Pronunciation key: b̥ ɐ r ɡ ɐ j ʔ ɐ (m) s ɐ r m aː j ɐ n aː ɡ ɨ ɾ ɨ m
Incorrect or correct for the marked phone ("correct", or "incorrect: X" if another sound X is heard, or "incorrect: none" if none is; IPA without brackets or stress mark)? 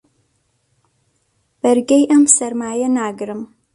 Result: correct